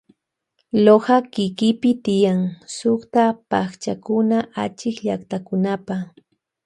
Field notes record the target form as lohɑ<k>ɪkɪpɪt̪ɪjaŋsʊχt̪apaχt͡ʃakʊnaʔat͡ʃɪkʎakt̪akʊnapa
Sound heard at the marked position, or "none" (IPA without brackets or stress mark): k